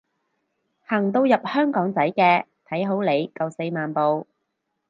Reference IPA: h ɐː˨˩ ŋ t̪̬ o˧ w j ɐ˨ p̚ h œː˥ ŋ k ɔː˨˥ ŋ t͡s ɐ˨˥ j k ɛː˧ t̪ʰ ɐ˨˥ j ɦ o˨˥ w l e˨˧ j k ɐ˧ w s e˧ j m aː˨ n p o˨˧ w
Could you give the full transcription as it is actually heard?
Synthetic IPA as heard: h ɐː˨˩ ŋ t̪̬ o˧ w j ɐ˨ p̚ h œː˥ ŋ k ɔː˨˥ ŋ t͡s ɐ˨˥ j k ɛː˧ t̪ʰ ɐ˨˥ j ɦ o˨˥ w l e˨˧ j k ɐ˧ w s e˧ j m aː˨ n p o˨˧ w